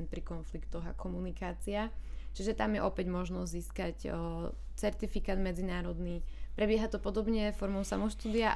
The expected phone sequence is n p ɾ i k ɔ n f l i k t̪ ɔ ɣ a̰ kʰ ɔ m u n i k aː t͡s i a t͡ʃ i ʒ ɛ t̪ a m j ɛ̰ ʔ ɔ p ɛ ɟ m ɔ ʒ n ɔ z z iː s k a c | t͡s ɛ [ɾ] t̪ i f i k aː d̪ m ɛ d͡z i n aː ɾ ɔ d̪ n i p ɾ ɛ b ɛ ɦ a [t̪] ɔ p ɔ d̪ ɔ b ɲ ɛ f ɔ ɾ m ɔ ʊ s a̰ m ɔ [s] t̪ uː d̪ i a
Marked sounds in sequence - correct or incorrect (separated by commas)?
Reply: correct, correct, incorrect